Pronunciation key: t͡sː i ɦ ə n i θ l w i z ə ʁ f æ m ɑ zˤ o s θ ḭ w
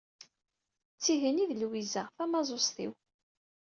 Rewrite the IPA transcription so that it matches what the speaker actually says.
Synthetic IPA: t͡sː i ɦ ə n i ð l w i z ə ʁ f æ m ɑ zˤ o s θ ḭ w